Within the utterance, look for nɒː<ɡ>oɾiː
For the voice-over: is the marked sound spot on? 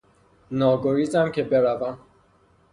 yes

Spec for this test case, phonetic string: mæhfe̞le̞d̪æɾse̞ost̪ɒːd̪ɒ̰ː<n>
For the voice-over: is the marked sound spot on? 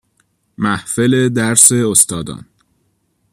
yes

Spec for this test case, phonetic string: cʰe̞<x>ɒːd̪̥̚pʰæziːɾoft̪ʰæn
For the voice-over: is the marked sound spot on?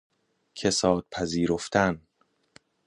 no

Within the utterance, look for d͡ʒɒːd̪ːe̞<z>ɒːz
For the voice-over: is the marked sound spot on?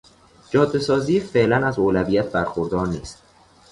no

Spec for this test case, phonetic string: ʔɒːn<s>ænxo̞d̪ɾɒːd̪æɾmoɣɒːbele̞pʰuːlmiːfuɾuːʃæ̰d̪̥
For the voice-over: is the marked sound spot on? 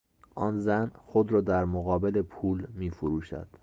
no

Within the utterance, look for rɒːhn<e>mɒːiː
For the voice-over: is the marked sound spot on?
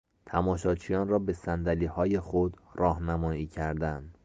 no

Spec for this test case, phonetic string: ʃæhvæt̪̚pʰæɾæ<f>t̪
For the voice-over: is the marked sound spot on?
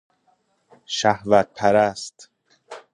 no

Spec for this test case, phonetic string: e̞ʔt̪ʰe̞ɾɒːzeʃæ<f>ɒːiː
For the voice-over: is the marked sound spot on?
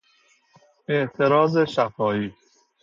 yes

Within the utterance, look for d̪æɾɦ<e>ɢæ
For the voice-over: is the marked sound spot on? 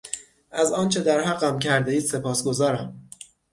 no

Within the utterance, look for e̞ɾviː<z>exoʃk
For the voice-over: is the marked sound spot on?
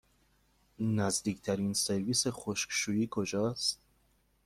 no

